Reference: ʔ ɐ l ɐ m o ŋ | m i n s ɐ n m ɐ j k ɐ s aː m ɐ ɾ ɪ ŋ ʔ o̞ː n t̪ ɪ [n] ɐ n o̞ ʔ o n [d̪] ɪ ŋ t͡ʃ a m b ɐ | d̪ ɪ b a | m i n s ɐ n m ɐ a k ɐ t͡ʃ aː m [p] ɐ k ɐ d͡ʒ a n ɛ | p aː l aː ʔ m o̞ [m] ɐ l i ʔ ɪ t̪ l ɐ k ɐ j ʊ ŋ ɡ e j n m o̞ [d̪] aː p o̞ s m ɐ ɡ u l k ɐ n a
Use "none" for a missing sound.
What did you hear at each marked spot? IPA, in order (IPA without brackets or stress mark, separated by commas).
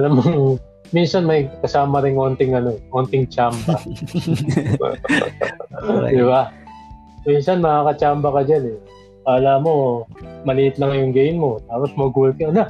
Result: ŋ, t̪, b, m, t̪